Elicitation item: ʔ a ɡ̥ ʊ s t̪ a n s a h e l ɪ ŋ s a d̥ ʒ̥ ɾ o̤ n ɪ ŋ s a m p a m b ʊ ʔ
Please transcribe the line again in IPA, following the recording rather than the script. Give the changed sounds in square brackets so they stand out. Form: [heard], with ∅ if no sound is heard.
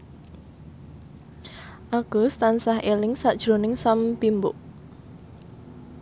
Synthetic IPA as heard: ʔ a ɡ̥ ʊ s t̪ a n s a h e l ɪ ŋ s a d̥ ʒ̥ ɾ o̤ n ɪ ŋ s a m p [i] m b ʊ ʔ